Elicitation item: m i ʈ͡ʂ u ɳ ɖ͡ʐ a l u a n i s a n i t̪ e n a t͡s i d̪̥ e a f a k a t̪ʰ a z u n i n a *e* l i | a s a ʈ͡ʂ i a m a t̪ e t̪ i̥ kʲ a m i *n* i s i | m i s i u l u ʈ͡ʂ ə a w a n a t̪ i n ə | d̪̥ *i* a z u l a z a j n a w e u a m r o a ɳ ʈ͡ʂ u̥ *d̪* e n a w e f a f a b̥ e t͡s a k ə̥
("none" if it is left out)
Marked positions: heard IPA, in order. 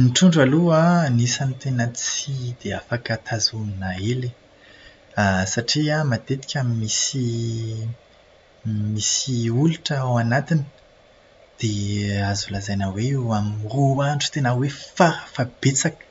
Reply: e, m, e, t̪

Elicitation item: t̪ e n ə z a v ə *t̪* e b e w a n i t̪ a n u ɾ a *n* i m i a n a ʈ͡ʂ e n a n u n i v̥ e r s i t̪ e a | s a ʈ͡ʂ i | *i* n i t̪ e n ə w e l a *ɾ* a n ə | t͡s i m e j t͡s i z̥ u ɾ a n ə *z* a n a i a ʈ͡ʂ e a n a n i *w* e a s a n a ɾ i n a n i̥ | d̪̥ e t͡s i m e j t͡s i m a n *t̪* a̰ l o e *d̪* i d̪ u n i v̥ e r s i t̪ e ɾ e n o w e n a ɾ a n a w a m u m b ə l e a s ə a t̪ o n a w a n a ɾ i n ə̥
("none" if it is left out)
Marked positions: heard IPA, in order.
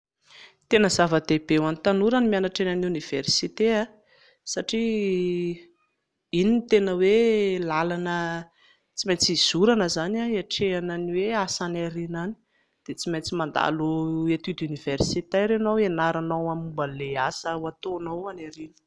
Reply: d̪, n, i, l, z, w, d̪, t̪

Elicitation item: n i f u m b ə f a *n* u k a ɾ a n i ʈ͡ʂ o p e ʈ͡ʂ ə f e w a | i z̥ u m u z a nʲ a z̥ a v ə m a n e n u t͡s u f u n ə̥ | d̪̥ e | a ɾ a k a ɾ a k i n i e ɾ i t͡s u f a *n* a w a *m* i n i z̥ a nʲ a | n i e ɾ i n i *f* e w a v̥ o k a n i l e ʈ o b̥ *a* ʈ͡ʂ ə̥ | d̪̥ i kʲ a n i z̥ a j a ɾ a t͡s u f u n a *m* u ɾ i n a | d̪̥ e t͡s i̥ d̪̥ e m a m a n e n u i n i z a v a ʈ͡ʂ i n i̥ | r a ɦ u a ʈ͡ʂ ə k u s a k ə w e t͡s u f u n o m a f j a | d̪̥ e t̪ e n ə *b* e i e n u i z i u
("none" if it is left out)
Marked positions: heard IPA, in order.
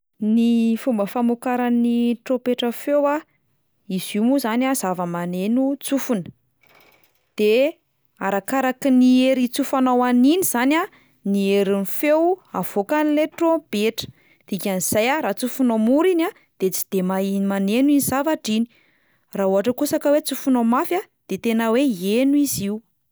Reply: m, n, n, f, e, m, w

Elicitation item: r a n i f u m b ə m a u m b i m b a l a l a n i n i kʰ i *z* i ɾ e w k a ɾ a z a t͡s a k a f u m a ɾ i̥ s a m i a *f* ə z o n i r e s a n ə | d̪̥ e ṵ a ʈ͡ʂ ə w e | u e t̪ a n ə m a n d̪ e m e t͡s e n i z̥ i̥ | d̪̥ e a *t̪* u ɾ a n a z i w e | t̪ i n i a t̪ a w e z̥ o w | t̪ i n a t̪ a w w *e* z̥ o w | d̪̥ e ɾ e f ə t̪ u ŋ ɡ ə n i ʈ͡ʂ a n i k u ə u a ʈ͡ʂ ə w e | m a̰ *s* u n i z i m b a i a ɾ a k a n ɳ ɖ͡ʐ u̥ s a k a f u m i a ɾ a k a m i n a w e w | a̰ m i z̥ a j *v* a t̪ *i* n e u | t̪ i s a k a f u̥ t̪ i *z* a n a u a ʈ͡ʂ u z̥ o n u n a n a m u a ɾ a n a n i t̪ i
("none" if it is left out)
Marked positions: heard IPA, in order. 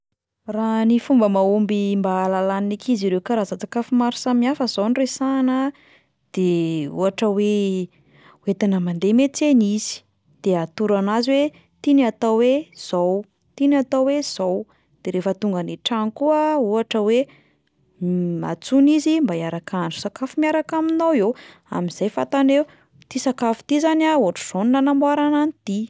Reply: z, f, t̪, e, t͡s, f, a, z

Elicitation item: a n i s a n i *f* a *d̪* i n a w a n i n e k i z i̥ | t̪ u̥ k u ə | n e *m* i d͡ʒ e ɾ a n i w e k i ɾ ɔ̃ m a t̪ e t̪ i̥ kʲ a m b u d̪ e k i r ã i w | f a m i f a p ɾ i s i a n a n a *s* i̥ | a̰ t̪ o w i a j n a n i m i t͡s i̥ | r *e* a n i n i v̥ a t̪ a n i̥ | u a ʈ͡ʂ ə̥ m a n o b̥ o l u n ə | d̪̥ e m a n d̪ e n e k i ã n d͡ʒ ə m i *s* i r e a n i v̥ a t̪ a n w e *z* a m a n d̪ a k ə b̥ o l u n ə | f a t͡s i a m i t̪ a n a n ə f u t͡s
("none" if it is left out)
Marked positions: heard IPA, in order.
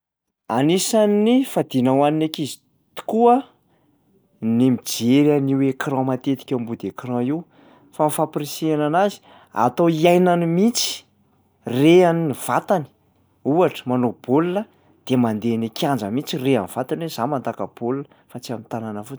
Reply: f, d̪, m, z, e, t͡s, z

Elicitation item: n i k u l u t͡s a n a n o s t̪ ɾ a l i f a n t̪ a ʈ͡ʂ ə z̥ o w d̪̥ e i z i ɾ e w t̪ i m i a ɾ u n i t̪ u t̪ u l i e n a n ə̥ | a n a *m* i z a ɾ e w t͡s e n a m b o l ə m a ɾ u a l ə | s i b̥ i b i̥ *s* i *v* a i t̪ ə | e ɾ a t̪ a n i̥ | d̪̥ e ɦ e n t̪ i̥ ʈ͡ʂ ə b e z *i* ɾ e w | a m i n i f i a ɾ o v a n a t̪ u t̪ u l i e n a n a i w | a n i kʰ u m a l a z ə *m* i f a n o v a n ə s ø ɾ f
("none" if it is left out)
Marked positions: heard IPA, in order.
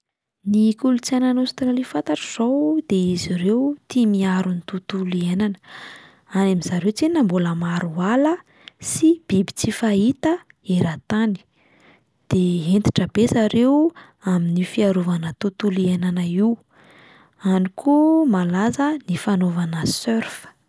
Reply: m, t͡s, f, a, n

